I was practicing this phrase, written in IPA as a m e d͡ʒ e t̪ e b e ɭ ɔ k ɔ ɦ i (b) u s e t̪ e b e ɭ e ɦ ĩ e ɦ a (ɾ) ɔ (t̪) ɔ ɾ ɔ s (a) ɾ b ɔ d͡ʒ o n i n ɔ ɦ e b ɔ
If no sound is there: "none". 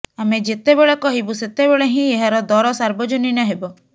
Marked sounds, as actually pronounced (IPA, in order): b, ɾ, d̪, a

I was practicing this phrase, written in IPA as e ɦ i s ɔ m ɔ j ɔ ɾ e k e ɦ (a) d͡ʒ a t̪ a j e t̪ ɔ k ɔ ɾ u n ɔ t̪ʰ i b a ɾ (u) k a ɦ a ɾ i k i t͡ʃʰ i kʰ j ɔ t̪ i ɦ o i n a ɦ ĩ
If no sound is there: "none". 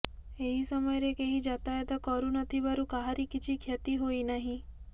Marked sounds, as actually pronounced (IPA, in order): i, u

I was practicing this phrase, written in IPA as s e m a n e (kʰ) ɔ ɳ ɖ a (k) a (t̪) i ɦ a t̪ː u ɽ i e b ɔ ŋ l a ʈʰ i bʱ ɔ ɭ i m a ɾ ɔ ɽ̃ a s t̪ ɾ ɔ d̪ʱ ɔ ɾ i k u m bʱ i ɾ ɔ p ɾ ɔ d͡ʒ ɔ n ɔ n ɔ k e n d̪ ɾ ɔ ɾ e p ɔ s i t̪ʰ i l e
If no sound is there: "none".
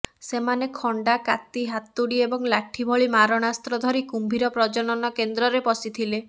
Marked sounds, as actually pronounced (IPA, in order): kʰ, k, t̪

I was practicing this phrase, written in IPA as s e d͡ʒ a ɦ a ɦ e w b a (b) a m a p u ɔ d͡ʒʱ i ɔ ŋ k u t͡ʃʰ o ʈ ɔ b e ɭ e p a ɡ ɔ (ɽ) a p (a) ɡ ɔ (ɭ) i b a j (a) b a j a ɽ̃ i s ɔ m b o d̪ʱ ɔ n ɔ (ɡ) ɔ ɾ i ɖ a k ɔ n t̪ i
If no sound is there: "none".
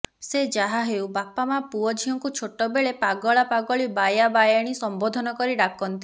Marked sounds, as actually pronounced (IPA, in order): p, ɭ, a, ɭ, a, k

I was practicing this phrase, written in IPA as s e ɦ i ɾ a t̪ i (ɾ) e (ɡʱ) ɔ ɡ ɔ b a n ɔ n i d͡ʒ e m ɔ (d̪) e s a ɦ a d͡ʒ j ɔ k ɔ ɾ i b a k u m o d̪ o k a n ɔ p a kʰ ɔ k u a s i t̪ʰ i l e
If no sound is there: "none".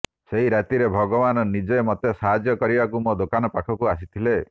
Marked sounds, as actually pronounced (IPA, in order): ɾ, bʱ, t̪

